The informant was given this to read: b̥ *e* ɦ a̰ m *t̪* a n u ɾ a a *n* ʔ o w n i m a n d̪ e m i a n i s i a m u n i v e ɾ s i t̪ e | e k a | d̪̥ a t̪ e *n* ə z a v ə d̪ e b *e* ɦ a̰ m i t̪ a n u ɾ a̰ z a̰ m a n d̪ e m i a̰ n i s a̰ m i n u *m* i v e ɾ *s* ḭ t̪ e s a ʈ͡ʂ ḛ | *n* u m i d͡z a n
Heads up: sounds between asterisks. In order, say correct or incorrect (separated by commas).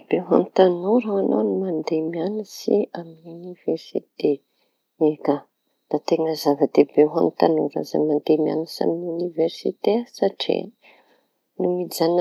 correct, correct, correct, incorrect, correct, incorrect, correct, correct